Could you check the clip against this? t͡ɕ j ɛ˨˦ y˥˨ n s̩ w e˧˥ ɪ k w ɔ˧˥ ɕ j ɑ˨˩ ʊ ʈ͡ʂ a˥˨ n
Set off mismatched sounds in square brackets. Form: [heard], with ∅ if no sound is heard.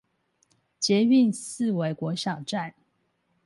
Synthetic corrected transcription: t͡ɕ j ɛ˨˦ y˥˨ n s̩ w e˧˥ ɪ k w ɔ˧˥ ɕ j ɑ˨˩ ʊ ʈ͡ʂ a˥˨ n